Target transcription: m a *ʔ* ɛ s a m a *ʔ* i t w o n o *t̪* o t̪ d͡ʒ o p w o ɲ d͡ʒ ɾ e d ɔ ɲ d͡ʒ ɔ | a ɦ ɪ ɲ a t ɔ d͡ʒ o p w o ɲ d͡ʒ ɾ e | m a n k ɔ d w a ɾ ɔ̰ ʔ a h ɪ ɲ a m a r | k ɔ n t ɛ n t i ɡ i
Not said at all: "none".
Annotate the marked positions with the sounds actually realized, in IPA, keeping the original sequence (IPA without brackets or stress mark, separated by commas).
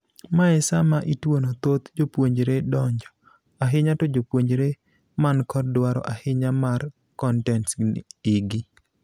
none, ʔ, t̪